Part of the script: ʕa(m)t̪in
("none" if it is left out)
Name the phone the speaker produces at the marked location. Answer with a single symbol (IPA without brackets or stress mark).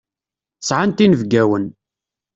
n